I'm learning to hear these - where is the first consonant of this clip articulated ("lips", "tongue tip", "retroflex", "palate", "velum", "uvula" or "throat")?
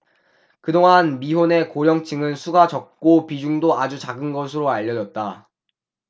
velum